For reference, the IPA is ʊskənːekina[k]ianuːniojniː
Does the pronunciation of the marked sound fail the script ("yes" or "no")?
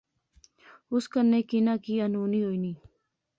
no